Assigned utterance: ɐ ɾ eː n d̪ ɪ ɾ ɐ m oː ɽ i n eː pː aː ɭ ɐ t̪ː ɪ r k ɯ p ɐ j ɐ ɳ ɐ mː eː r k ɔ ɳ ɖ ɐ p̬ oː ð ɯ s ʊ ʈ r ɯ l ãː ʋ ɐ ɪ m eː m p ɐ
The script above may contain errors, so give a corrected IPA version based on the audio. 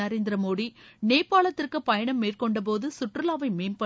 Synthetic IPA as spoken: ɐ ɾ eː n d̪ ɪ ɾ ɐ m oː ɽ i n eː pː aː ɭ ɐ t̪ː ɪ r k ɯ p ɐ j ɐ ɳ ɐ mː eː r k ɔ ɳ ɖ ɐ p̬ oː ð ɯ s ʊ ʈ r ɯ l aː ʋ ɐ ɪ m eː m p ɐ

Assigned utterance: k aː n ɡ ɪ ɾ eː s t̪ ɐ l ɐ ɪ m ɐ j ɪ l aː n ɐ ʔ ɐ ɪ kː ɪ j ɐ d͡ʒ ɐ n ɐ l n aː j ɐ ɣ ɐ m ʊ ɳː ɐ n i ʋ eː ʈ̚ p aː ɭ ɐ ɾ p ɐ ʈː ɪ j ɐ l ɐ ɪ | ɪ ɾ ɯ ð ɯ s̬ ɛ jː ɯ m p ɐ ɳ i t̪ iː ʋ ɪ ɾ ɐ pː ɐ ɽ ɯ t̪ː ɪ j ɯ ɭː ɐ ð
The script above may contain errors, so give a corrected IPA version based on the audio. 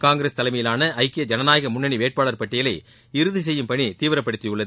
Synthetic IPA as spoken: k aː ŋ ɡ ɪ ɾ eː s t̪ ɐ l ɐ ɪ m ɐ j ɪ l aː n ɐ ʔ ɐ ɪ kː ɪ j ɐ d͡ʒ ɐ n ɐ n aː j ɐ ɣ ɐ m ʊ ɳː ɐ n i ʋ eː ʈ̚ p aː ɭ ɐ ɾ p ɐ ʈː ɪ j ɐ l ɐ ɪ | ɪ ɾ ɯ ð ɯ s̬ ɛ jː ɯ m p ɐ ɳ i t̪ iː ʋ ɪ ɾ ɐ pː ɐ ɽ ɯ t̪ː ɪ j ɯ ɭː ɐ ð

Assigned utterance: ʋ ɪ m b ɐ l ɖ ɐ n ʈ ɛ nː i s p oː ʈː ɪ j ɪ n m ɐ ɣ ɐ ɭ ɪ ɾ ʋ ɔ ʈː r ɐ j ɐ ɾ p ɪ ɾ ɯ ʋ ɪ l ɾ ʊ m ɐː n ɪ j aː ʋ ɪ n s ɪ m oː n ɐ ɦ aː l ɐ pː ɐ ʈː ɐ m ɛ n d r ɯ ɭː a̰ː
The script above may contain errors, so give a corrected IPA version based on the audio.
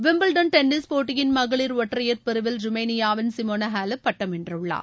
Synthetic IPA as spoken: ʋ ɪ m b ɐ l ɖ ɐ n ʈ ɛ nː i s p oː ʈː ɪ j ɪ n m ɐ ɣ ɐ ɭ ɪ ɾ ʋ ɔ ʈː r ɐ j ɐ ɾ p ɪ ɾ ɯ ʋ ɪ l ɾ ʊ m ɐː n ɪ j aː ʋ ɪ n s ɪ m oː n ɐ ɦ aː l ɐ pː ɐ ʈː ɐ m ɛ n d r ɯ ɭː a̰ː

